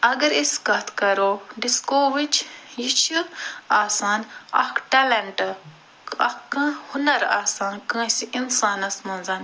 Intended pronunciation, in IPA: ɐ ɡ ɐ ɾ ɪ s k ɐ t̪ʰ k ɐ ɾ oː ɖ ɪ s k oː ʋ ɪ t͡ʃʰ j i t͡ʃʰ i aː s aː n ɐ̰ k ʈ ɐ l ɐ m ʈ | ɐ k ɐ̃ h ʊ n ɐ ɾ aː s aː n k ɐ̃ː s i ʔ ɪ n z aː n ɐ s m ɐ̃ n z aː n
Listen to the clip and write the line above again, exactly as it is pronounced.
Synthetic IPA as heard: ɐ ɡ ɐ ɾ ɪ s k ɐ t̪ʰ k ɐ ɾ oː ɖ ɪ s k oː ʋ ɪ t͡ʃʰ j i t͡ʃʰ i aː s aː n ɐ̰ k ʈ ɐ l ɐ ɳ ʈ | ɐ k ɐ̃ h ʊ n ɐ ɾ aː s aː n k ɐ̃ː s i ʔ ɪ n s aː n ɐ s m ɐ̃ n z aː n